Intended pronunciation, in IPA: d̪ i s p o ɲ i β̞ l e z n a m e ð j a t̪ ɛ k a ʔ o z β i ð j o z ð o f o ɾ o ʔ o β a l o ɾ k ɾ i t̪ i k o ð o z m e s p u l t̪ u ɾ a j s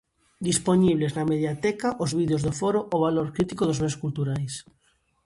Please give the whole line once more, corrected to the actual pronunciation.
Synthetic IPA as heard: d̪ i s p o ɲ i β̞ l e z n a m e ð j a t̪ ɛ k a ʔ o z β i ð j o z ð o f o ɾ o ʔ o β a l o ɾ k ɾ i t̪ i k o ð o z m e s k u l t̪ u ɾ a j s